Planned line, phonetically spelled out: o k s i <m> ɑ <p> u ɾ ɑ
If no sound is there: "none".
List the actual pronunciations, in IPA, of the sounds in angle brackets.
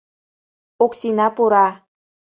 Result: n, p

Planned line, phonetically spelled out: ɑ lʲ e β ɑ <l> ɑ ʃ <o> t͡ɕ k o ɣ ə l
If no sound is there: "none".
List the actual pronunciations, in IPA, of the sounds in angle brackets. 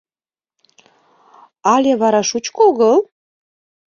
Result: ɾ, u

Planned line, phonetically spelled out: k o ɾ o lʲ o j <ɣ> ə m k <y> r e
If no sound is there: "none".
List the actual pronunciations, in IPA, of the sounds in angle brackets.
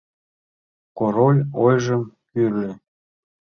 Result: ʒ, y

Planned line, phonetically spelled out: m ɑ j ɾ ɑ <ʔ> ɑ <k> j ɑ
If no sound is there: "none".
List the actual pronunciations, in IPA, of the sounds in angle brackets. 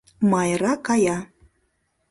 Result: k, none

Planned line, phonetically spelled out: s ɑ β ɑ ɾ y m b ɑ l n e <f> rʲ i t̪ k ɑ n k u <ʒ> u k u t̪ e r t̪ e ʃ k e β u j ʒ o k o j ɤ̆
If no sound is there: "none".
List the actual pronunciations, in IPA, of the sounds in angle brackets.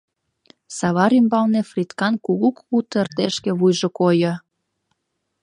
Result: f, ɣ

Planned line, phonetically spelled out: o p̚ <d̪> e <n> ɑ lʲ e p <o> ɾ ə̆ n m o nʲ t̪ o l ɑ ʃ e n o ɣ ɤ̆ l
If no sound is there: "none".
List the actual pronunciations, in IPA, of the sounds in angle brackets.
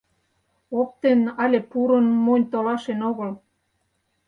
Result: t̪, n, u

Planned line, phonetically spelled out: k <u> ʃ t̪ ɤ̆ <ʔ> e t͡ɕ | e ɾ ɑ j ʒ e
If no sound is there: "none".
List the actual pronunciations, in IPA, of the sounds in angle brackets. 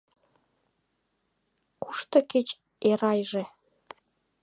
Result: u, k

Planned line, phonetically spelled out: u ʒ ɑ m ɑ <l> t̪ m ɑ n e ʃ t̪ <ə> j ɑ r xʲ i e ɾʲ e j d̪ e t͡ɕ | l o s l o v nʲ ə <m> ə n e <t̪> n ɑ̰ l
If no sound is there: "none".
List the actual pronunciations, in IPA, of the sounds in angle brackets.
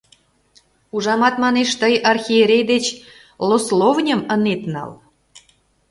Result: none, ə, m, t̪

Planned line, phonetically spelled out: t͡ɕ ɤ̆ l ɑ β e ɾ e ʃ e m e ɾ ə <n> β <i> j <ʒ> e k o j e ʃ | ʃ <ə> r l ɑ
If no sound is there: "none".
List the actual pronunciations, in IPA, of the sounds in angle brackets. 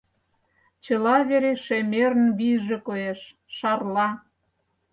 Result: n, i, ʒ, ɑ

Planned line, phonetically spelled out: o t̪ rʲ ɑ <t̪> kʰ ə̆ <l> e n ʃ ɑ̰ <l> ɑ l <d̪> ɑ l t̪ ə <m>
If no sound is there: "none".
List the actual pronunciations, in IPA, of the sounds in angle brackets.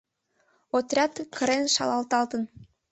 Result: t̪, ɾ, l, t̪, n

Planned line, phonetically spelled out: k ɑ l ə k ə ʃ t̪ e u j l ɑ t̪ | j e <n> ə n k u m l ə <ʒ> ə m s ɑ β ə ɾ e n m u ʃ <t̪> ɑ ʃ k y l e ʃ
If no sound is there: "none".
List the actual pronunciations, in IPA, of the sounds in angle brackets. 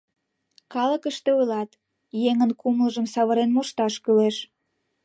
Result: ŋ, ʒ, t̪

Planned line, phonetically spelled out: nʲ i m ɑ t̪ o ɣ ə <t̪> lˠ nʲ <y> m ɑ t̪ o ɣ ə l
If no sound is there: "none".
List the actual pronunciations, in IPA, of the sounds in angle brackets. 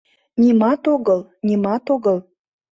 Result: none, i

